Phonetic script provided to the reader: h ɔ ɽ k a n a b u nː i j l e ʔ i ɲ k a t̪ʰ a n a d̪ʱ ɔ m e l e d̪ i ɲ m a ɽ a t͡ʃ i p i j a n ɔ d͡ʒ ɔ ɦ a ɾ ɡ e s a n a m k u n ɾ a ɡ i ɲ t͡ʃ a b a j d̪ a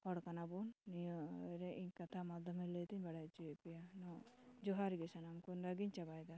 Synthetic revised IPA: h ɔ ɽ k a n a b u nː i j ɾ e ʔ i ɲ k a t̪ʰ a m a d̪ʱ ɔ m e l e t̪ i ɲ b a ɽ a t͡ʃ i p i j a n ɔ d͡ʒ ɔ ɦ a ɾ ɡ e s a n a m k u n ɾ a ɡ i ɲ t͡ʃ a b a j d̪ a